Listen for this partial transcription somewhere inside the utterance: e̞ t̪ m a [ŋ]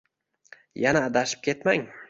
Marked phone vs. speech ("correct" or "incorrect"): correct